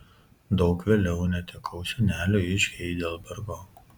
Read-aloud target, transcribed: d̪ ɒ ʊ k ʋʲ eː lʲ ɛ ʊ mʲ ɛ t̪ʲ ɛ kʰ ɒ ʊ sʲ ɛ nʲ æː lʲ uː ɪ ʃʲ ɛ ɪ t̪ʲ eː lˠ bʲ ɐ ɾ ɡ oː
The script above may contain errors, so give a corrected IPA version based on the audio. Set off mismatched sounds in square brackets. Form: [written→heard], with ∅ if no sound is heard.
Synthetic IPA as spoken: d̪ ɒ ʊ k ʋʲ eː lʲ ɛ ʊ [mʲ→nʲ] ɛ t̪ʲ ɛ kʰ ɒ ʊ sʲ ɛ nʲ æː lʲ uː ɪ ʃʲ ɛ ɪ [t̪ʲ→d̪ʲ] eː lˠ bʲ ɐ ɾ ɡ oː